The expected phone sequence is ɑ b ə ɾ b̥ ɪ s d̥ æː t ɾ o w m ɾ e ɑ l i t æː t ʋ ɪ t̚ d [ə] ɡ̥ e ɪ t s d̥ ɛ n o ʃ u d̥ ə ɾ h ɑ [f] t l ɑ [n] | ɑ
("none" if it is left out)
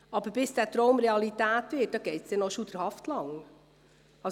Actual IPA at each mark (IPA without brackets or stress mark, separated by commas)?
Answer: ɑ, f, ŋ